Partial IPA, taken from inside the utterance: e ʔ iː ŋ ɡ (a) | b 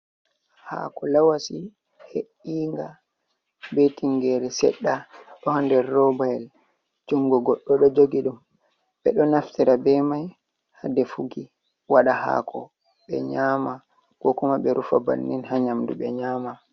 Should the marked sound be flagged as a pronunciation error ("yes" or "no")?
no